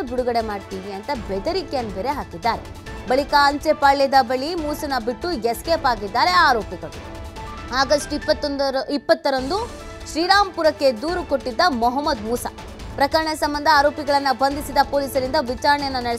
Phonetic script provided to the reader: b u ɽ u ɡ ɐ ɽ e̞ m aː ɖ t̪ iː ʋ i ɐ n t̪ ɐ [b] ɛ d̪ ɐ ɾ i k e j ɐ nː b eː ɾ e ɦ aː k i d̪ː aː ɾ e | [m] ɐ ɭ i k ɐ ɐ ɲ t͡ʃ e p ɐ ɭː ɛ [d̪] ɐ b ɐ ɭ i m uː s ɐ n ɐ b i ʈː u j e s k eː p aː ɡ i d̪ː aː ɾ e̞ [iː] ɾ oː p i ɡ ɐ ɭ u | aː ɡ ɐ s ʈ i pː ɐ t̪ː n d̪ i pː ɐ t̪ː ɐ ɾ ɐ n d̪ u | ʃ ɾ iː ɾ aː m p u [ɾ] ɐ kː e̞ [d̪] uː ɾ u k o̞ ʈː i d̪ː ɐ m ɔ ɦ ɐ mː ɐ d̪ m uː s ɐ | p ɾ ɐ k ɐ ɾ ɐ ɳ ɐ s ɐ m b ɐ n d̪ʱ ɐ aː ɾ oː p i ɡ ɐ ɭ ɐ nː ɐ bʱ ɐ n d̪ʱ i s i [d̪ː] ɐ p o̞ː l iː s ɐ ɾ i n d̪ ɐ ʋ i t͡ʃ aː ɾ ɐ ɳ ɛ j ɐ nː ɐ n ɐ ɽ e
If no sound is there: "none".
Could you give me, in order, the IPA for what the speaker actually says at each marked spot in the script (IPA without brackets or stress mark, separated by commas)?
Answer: b, b, d̪, aː, ɾ, d̪, d̪